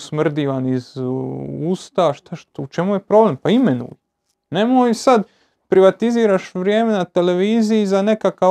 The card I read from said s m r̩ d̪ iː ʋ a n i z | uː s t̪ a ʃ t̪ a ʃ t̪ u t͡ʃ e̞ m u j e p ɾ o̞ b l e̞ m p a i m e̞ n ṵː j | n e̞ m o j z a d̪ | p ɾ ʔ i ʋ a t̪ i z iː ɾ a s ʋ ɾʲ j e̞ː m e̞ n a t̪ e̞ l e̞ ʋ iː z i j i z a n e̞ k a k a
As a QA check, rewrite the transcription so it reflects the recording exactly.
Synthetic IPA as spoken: s m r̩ d̪ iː ʋ a n i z | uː s t̪ a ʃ t̪ a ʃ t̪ u t͡ʃ e̞ m u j e p ɾ o̞ b l e̞ m p a i m e̞ n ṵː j | n e̞ m o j s a d̪ | p ɾ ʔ i ʋ a t̪ i z iː ɾ a ʃ ʋ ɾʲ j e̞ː m e̞ n a t̪ e̞ l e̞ ʋ iː z i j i z a n e̞ k a k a